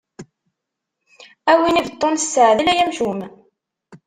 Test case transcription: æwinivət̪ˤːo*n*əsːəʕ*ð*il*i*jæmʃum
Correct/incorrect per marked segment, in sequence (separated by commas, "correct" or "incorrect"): correct, correct, incorrect